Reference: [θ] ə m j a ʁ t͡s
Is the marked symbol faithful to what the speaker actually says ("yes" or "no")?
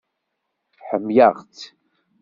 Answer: no